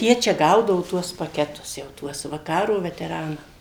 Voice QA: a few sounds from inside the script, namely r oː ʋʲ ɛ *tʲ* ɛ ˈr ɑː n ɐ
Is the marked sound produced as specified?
yes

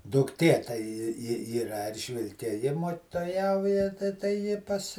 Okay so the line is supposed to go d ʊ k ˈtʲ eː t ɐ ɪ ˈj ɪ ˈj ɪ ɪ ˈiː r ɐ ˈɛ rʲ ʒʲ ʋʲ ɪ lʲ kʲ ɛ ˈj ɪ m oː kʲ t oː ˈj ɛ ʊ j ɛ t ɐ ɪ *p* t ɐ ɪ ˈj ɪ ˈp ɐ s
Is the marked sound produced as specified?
no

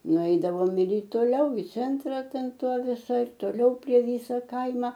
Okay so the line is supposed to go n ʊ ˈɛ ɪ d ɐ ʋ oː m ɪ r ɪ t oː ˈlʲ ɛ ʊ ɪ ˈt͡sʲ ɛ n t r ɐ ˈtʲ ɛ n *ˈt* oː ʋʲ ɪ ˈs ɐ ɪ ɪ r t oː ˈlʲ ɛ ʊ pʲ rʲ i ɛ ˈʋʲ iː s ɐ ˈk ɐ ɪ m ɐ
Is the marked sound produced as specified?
yes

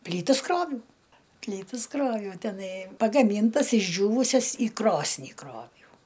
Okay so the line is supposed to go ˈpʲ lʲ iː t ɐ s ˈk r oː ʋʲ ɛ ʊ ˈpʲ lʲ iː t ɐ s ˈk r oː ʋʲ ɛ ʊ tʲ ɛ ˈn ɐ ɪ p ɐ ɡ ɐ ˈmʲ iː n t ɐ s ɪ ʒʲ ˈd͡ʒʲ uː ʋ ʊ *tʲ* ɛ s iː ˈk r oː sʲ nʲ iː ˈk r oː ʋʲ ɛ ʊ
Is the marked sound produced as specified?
no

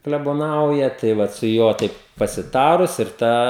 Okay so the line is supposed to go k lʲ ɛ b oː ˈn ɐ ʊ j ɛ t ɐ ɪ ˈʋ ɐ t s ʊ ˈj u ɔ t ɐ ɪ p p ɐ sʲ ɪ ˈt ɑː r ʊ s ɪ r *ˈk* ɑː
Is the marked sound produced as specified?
no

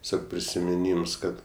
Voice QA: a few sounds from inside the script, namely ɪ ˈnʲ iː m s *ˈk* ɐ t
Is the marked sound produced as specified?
yes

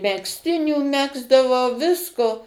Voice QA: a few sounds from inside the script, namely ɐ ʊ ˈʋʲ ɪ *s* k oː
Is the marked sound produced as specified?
yes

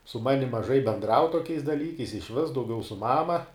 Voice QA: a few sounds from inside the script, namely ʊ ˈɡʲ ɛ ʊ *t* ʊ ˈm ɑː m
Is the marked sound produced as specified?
no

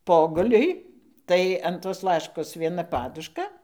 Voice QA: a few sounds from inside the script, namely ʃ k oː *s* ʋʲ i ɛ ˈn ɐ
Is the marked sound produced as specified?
yes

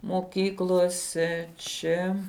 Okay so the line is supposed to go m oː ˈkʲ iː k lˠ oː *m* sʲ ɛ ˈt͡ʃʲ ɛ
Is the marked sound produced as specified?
no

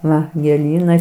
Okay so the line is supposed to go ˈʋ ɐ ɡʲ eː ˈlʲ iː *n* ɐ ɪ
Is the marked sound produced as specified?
yes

